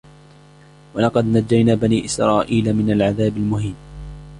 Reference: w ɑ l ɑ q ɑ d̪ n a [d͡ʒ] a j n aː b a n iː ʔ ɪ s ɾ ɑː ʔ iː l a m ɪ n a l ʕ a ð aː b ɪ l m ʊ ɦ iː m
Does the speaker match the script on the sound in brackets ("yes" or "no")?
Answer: no